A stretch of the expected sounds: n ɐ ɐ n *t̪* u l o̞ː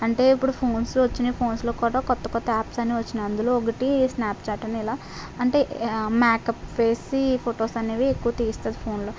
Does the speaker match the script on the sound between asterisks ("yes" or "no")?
no